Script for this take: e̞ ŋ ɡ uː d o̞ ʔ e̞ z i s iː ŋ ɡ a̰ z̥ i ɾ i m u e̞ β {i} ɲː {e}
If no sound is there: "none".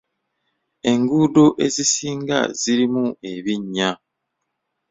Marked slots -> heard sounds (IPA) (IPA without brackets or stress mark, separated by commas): i, a